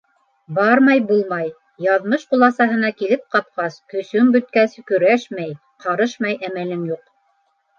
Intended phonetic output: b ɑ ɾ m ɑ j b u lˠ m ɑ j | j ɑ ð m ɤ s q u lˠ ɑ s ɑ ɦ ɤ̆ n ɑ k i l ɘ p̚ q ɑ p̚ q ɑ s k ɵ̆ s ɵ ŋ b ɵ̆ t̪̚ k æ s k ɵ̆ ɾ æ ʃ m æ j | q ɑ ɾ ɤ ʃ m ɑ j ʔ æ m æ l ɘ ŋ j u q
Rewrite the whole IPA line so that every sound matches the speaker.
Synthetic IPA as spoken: b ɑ ɾ m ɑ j b u lˠ m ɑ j | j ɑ ð m ɤ ʃ q u lˠ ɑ s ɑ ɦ ɤ̆ n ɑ k i l ɘ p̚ q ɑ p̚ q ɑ s k ɵ̆ s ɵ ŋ b ɵ̆ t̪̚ k æ s k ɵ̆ ɾ æ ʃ m æ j | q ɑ ɾ ɤ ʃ m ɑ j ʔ æ m æ l ɘ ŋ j u q